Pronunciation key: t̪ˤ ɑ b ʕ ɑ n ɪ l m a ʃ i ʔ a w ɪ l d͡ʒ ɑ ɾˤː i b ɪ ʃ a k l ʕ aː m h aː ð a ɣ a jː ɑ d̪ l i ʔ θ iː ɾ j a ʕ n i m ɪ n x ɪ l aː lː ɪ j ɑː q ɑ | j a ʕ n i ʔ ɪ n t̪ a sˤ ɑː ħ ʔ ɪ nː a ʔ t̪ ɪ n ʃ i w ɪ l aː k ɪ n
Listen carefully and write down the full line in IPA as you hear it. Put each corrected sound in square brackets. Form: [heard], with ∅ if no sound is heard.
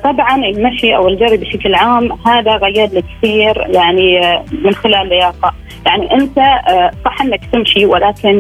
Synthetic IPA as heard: t̪ˤ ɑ b ʕ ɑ n ɪ l m a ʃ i ʔ a w ɪ l d͡ʒ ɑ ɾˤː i b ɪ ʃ a k l ʕ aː m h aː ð a ɣ a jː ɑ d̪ l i [k] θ iː ɾ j a ʕ n i m ɪ n x ɪ l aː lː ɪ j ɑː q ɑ | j a ʕ n i ʔ ɪ n t̪ a sˤ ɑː ħ ʔ ɪ nː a [k] t̪ ɪ [m] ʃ i w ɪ l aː k ɪ n